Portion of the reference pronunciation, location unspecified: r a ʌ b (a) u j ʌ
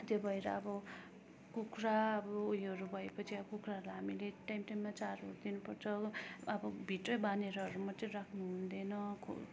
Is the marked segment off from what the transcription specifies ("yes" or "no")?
yes